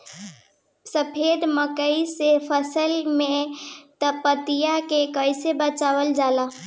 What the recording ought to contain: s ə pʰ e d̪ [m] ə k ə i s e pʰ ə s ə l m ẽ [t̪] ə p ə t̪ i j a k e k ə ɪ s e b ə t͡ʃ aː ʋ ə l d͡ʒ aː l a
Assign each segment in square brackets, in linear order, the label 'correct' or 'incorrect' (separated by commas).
correct, correct